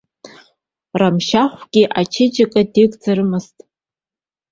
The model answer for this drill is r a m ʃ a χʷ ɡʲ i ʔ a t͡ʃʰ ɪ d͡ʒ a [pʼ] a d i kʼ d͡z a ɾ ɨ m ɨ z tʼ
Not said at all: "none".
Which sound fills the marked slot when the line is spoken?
kʼ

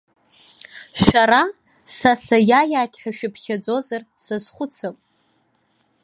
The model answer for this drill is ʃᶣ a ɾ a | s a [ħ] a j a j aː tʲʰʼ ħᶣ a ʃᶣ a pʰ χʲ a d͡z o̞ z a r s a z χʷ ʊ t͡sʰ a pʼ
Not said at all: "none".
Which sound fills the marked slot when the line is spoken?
s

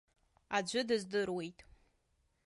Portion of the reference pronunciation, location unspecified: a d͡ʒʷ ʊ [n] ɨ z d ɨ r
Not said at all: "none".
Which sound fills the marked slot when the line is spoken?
d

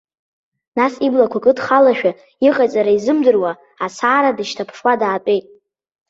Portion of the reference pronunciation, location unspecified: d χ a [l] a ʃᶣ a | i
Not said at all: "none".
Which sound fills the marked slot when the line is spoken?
l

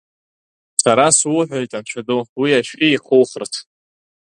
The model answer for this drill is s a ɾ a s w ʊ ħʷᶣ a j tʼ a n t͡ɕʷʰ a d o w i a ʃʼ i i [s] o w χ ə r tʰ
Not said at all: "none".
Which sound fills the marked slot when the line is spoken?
χ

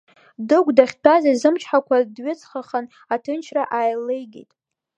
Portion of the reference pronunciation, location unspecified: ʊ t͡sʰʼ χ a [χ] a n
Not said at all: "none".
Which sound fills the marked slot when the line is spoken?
χ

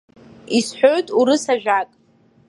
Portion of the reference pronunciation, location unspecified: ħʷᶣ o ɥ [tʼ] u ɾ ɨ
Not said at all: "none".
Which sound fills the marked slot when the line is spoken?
tʼ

